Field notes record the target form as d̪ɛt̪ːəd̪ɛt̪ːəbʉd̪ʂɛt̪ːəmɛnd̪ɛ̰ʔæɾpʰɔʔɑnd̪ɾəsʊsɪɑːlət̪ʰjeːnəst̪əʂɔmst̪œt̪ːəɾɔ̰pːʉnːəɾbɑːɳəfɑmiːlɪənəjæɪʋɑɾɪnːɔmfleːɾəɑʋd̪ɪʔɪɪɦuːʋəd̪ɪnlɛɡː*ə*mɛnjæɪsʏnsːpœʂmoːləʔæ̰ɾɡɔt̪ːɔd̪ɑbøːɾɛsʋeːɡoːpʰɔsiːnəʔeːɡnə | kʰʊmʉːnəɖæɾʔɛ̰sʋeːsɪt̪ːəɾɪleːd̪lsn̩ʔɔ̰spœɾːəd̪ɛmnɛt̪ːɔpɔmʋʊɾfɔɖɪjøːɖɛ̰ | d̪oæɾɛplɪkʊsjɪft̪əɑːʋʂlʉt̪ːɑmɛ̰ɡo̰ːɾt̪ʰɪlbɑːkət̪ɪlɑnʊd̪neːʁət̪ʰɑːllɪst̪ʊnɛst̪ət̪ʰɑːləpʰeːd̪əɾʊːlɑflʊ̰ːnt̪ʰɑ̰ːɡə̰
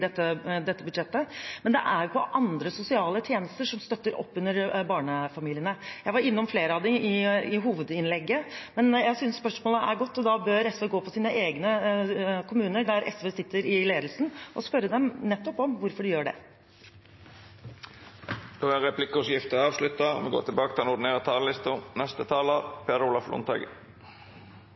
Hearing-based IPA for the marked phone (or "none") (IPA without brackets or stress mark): ə